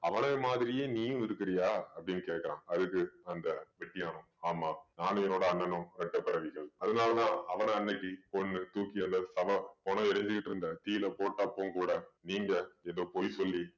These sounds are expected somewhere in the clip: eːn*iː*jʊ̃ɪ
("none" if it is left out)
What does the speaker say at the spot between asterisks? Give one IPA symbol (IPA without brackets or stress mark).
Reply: iː